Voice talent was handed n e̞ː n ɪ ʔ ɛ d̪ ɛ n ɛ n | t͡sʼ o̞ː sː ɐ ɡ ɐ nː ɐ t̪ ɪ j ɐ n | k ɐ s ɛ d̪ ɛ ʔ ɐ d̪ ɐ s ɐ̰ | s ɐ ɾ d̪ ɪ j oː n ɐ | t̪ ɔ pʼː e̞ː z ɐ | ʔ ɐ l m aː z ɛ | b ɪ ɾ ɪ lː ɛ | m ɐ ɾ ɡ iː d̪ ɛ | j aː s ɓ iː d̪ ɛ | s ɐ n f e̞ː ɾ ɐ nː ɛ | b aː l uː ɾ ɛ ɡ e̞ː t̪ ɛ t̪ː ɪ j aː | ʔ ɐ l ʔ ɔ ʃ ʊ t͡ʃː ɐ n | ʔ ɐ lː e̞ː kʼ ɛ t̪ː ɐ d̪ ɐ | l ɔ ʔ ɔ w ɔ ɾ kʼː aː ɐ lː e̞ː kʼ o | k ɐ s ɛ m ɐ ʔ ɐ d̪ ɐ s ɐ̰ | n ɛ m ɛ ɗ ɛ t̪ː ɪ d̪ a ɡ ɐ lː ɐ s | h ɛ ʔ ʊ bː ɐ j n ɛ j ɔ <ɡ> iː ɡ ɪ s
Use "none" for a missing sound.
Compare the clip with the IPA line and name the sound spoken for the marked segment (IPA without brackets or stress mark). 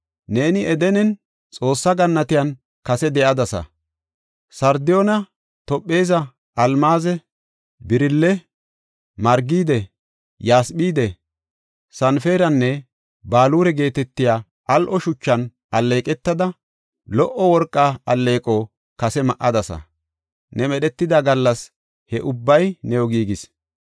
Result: ɡ